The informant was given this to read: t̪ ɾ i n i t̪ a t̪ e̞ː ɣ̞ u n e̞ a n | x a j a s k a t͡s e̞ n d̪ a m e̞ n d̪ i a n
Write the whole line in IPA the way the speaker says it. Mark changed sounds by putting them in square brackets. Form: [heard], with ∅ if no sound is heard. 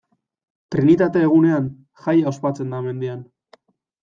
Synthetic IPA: t̪ ɾ i n i t̪ a t̪ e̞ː ɣ̞ u n e̞ a n | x a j a s [p] a t͡s e̞ n d̪ a m e̞ n d̪ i a n